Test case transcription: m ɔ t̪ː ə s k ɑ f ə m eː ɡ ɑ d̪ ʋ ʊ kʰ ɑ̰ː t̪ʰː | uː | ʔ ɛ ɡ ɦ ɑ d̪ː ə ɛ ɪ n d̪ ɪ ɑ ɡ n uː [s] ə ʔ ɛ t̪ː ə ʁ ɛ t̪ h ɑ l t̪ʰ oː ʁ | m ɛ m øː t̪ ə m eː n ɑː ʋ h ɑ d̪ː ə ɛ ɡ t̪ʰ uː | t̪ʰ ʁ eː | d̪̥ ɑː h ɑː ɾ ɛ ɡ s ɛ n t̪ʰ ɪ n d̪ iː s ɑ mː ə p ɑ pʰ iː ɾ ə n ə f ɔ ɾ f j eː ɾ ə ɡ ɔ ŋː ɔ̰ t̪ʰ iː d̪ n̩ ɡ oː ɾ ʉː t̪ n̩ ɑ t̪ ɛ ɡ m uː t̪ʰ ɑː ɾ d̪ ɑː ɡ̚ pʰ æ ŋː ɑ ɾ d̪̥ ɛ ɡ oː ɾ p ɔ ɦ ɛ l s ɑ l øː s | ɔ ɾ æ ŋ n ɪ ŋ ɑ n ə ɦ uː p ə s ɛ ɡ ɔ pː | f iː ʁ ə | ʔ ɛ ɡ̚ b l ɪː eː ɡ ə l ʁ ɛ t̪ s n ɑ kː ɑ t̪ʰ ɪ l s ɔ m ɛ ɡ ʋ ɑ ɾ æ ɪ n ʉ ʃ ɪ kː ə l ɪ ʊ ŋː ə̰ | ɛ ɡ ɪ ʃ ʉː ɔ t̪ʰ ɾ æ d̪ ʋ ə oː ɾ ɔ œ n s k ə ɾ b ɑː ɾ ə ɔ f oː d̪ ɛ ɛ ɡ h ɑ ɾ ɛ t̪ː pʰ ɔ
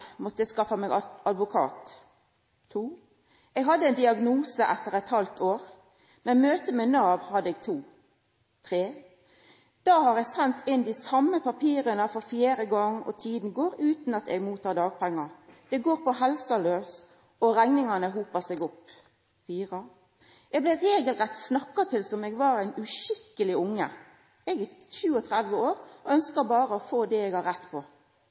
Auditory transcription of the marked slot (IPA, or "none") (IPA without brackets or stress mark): s